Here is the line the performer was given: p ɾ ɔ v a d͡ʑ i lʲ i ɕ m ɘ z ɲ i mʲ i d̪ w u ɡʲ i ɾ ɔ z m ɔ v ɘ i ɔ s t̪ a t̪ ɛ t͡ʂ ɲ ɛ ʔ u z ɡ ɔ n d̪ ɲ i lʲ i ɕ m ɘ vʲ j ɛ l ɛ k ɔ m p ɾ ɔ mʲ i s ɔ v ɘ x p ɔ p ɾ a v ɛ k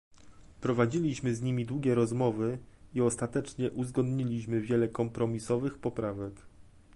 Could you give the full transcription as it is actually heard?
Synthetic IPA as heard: p ɾ ɔ v a d͡ʑ i lʲ i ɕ m ɘ z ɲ i mʲ i d̪ w u ɡʲ ɛ ɾ ɔ z m ɔ v ɘ i ɔ s t̪ a t̪ ɛ t͡ʂ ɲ ɛ ʔ u z ɡ ɔ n d̪ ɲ i lʲ i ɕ m ɘ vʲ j ɛ l ɛ k ɔ m p ɾ ɔ mʲ i s ɔ v ɘ x p ɔ p ɾ a v ɛ k